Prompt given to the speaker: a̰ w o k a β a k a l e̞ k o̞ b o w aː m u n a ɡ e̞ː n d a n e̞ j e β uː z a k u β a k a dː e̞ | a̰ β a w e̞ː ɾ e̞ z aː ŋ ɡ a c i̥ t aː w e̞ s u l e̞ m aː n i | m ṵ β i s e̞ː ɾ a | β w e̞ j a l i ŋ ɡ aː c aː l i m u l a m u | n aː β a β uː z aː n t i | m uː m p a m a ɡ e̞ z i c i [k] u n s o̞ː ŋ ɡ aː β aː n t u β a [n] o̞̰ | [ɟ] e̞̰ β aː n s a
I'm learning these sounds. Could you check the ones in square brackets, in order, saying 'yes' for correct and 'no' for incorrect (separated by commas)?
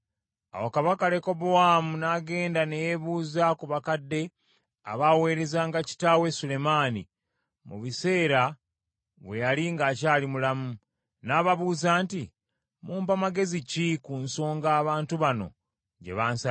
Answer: yes, yes, yes